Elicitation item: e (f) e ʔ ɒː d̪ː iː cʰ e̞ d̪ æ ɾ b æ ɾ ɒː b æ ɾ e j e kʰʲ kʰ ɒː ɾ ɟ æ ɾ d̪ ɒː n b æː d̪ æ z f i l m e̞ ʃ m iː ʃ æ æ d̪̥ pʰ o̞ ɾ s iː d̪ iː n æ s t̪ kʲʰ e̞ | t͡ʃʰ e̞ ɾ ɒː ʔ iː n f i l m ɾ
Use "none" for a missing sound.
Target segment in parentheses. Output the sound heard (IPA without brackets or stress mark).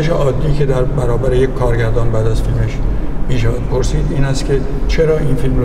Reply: ʃ